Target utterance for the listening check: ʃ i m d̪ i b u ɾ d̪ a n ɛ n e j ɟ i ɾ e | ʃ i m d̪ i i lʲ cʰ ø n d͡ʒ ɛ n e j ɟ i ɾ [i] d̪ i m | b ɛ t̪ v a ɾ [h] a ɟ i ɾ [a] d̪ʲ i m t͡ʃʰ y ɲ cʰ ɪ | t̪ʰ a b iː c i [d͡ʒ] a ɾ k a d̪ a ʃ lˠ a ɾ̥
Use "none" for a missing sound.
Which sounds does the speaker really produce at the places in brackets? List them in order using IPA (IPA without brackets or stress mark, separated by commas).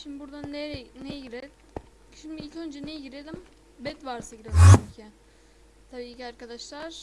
e, s, e, none